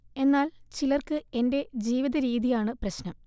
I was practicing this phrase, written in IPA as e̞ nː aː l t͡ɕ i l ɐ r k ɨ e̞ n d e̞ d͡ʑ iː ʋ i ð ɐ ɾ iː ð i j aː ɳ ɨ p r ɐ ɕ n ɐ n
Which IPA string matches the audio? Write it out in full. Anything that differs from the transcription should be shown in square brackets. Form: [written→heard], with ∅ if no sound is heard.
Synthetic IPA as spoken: e̞ nː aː l t͡ɕ i l ɐ r k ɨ e̞ n d e̞ d͡ʑ iː ʋ i ð ɐ ɾ iː ð i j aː ɳ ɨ p r ɐ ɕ n ɐ [n→m]

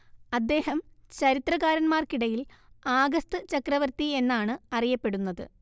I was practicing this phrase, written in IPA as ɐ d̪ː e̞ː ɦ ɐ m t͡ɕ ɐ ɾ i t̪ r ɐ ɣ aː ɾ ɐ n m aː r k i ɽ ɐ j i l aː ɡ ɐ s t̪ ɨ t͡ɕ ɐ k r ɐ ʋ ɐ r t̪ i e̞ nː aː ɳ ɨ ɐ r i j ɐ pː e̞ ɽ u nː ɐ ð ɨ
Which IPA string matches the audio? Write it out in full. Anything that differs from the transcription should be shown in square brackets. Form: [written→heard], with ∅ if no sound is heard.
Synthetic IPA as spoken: ɐ d̪ː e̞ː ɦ ɐ m t͡ɕ ɐ ɾ i t̪ r ɐ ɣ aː ɾ ɐ n m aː r k i ɽ ɐ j i l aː ɡ ɐ s t̪ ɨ t͡ɕ ɐ k r ɐ ʋ ɐ r t̪ i e̞ nː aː ɳ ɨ ɐ r i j ɐ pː e̞ ɽ u nː ɐ ð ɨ

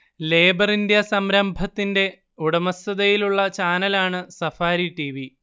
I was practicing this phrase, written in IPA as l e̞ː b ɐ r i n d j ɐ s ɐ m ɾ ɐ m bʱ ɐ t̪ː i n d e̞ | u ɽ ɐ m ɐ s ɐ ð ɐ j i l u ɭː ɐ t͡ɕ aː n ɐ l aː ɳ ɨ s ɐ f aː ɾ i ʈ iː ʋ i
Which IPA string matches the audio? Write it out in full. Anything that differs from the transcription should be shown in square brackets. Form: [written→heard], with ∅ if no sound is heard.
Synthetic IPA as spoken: l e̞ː b ɐ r i n d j ɐ s ɐ m ɾ ɐ m bʱ ɐ t̪ː i n d e̞ | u ɽ ɐ m ɐ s ɐ ð ɐ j i l u ɭː ɐ t͡ɕ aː n ɐ l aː ɳ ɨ s ɐ f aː ɾ i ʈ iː ʋ i

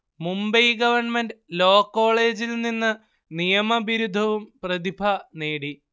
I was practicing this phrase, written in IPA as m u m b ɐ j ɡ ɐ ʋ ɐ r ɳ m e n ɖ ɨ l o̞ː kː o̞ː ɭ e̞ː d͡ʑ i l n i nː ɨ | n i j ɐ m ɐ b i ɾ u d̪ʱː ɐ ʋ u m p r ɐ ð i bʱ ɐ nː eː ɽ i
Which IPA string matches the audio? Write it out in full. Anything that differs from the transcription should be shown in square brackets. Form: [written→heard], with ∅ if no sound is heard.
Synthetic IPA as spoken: m u m b ɐ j ɡ ɐ ʋ ɐ r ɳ m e n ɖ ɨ l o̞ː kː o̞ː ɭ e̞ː d͡ʑ i l n i nː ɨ | n i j ɐ m ɐ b i ɾ u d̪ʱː ɐ ʋ u m p r ɐ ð i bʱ ɐ [nː→n] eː ɽ i

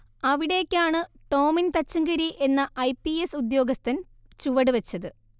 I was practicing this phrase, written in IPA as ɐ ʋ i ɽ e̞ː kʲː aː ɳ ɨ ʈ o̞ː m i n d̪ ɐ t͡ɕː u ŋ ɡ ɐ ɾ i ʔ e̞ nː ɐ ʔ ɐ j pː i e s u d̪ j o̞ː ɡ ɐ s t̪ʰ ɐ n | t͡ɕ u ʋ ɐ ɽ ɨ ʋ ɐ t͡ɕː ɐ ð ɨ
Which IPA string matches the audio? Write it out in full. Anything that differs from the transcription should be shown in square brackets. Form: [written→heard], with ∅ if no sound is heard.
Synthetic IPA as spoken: ɐ ʋ i ɽ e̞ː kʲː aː ɳ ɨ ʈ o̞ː m i n [d̪→t̪] ɐ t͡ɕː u ŋ ɡ ɐ ɾ i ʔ e̞ nː ɐ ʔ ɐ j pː i e s u d̪ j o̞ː ɡ ɐ s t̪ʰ ɐ n | t͡ɕ u ʋ ɐ ɽ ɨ ʋ ɐ t͡ɕː ɐ ð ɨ

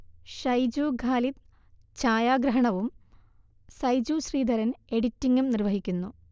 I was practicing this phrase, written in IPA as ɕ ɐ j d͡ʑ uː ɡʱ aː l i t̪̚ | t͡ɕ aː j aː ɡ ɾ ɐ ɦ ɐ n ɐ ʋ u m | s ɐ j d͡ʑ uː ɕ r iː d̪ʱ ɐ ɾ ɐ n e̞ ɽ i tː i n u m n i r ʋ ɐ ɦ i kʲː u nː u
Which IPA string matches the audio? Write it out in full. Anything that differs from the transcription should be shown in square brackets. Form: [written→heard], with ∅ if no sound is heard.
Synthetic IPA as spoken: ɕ ɐ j d͡ʑ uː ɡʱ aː l i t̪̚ | t͡ɕ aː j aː ɡ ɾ ɐ ɦ ɐ [n→ɳ] ɐ ʋ u m | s ɐ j d͡ʑ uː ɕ r iː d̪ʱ ɐ ɾ ɐ n e̞ ɽ i tː i [n→ŋ] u m n i r ʋ ɐ ɦ i kʲː u nː u

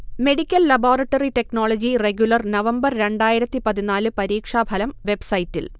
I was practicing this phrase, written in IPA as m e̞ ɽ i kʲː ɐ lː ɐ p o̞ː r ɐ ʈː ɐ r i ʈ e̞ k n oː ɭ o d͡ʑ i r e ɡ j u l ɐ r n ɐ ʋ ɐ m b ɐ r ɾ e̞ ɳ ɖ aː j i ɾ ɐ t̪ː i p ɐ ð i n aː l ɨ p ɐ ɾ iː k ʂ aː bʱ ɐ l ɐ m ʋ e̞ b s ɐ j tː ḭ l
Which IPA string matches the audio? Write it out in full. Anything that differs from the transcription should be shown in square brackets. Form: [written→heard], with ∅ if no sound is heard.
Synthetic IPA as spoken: m e̞ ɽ i kʲː ɐ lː ɐ [p→b] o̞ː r ɐ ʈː ɐ r i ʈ e̞ k n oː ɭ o d͡ʑ i r e ɡ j u l ɐ r n ɐ ʋ ɐ m b ɐ r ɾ e̞ ɳ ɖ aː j i ɾ ɐ t̪ː i p ɐ ð i n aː l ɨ p ɐ ɾ iː k ʂ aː bʱ ɐ l ɐ m ʋ e̞ b s ɐ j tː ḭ l

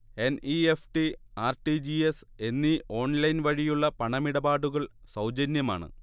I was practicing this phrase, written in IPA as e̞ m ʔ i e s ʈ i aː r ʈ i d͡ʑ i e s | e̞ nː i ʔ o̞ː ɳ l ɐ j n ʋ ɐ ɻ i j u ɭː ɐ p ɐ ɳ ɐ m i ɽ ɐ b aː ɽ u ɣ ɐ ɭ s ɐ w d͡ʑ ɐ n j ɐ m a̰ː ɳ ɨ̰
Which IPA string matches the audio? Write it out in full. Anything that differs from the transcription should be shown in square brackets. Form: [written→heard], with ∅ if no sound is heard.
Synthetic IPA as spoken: e̞ [m→n] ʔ i e [s→f] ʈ i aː r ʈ i d͡ʑ i e s | e̞ nː i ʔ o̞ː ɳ l ɐ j n ʋ ɐ ɻ i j u ɭː ɐ p ɐ ɳ ɐ m i ɽ ɐ b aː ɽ u ɣ ɐ ɭ s ɐ w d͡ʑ ɐ n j ɐ m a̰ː ɳ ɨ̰

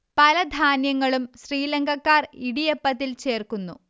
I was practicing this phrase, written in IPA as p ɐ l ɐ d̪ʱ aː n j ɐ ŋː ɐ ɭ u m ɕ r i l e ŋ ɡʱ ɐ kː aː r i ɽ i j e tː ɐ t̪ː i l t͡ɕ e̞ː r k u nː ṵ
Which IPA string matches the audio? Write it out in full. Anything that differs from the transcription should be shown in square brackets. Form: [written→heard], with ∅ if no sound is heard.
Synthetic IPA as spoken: p ɐ l ɐ d̪ʱ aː n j ɐ ŋː ɐ ɭ u m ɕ r [i→iː] l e ŋ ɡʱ ɐ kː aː r i ɽ i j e [tː→pː] ɐ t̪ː i l t͡ɕ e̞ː r k u nː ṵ

